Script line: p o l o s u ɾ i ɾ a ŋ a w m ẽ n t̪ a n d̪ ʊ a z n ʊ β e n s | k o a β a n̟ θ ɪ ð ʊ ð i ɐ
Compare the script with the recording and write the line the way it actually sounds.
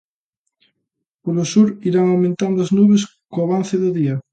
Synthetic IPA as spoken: p o l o s u ɾ i ɾ a ŋ a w m ẽ n t̪ a n d̪ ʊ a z n u β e s | k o a β a n̟ θ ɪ ð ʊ ð i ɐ